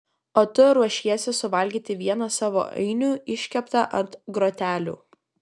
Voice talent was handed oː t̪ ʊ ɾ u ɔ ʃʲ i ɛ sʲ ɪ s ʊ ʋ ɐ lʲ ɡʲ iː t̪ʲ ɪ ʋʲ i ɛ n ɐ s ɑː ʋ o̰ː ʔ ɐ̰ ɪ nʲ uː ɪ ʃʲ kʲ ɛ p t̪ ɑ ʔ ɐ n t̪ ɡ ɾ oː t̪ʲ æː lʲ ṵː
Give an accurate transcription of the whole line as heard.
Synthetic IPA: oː t̪ ʊ ɾ u ɔ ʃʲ i ɛ sʲ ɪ s ʊ ʋ ɐ lʲ ɡʲ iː t̪ʲ ɪ ʋʲ i ɛ n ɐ s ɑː ʋ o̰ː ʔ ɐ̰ ɪ nʲ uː ɪ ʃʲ kʲ ɛ p t̪ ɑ ʔ ɐ n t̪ ɡ ɾ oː t̪ʲ æː lʲ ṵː